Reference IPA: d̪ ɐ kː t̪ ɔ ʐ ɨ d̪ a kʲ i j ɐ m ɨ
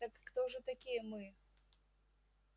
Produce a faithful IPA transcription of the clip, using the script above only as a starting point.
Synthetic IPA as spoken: t̪ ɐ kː t̪ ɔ ʐ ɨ t̪ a kʲ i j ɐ m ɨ